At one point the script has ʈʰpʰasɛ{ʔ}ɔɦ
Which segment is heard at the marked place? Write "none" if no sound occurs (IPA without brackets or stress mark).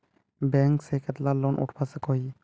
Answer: k